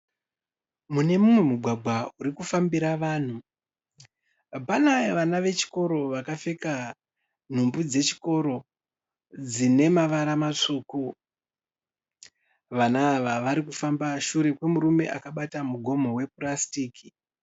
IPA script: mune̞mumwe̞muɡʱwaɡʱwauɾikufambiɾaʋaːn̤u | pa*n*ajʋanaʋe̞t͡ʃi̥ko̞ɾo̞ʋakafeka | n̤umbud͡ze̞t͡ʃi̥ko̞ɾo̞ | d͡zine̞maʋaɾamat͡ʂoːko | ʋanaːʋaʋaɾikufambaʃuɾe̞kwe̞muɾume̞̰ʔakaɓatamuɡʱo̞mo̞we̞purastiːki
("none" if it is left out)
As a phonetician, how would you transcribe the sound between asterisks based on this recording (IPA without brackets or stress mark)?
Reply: n